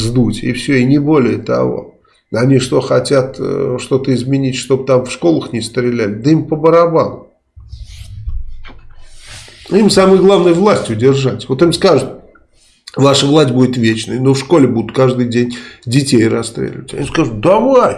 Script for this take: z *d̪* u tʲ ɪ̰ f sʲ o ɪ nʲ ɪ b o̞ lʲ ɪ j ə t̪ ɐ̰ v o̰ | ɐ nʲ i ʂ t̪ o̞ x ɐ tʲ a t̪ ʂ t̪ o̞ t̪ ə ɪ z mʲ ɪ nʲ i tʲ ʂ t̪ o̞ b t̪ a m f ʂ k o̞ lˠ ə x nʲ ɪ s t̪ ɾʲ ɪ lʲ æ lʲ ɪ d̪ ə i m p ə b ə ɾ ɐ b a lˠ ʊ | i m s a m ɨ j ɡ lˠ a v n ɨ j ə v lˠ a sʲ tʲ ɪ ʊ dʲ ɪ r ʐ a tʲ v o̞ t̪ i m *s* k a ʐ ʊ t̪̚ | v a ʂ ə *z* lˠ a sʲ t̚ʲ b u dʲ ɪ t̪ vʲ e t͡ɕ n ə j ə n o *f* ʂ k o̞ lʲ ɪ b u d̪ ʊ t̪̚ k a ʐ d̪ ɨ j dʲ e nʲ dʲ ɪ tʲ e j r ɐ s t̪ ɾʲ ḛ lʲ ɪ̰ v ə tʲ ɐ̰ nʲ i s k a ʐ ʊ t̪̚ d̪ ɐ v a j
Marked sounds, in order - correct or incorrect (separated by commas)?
correct, correct, incorrect, correct